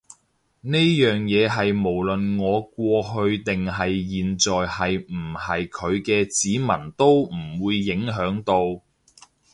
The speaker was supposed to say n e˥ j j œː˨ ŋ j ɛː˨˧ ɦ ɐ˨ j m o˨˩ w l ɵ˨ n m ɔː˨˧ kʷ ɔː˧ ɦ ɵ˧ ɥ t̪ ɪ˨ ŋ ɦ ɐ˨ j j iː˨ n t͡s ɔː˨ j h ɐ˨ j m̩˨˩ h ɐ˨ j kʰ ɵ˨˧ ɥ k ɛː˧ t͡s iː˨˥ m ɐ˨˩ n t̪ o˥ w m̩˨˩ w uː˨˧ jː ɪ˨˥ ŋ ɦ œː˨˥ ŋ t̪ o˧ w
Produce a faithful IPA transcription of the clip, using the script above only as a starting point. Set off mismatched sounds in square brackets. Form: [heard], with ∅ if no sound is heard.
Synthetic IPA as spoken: n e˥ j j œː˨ ŋ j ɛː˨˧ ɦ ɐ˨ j m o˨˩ w l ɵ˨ n [ŋ] ɔː˨˧ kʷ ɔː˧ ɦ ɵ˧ ɥ t̪ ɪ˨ ŋ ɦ ɐ˨ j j iː˨ n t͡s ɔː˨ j h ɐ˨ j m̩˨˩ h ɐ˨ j kʰ ɵ˨˧ ɥ k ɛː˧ t͡s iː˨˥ m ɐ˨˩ n t̪ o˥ w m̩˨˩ w uː˨˧ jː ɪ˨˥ ŋ ɦ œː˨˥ ŋ t̪ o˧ w